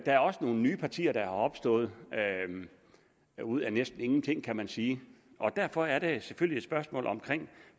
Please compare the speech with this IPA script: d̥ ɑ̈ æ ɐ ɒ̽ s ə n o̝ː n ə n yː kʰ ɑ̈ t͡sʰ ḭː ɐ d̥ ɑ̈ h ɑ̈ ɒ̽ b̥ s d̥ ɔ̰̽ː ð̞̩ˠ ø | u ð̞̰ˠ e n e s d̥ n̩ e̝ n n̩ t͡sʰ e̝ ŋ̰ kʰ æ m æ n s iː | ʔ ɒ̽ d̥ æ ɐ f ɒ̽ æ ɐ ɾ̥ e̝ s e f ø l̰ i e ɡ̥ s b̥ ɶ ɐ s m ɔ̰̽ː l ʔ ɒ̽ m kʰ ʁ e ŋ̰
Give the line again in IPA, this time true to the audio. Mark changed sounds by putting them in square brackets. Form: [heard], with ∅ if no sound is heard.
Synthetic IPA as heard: d̥ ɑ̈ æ ɐ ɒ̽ s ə n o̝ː n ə n yː [pʰ] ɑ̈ t͡sʰ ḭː ɐ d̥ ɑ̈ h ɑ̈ ɒ̽ b̥ s d̥ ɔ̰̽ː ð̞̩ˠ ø | u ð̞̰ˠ [æ] n e s d̥ n̩ e̝ [ŋ] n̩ t͡sʰ e̝ ŋ̰ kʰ æ m æ n s iː | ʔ ɒ̽ d̥ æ ɐ f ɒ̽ æ ɐ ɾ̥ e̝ s e f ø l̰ i e [d̥] s b̥ ɶ ɐ s m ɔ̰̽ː l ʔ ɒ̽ m kʰ ʁ e ŋ̰